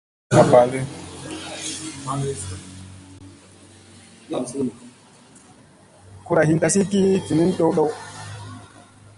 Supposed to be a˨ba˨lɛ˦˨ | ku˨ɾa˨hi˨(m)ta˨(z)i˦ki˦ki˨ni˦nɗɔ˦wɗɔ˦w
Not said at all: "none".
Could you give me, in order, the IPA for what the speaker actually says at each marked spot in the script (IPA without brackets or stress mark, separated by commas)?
n, s